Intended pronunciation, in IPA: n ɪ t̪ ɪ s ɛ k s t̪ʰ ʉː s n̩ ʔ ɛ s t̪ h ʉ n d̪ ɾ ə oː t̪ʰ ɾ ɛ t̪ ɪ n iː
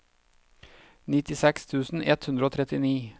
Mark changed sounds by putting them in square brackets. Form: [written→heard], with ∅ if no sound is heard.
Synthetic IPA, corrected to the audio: n ɪ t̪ ɪ s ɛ k s t̪ʰ ʉː s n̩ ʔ ɛ [s→∅] t̪ h ʉ n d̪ ɾ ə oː t̪ʰ ɾ ɛ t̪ ɪ n iː